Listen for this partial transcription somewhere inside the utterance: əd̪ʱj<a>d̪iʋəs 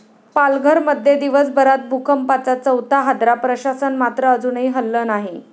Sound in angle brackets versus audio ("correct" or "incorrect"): incorrect